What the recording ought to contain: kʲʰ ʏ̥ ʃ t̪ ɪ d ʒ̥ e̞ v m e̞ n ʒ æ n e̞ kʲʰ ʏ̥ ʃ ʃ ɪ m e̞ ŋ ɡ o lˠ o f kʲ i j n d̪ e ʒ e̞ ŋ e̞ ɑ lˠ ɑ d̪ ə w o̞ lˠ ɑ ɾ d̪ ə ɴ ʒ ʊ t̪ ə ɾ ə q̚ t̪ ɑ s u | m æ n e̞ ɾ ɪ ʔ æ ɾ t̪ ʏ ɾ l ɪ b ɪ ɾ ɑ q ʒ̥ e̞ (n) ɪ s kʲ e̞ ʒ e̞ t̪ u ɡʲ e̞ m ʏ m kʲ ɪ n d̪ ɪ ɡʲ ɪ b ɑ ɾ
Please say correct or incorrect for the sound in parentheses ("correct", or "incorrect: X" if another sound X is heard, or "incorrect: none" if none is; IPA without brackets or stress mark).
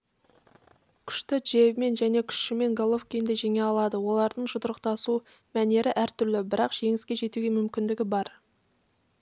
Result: incorrect: ŋ